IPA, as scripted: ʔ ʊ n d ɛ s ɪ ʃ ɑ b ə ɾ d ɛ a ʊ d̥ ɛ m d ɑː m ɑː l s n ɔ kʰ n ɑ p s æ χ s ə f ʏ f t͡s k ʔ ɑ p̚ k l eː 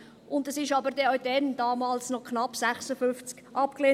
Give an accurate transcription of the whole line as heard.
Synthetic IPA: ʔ ʊ n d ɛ s ɪ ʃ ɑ b ə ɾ d ɛ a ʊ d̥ ɛ n d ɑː m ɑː l s n ɔ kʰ n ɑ p s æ χ s ə f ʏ f t͡s k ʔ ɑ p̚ k l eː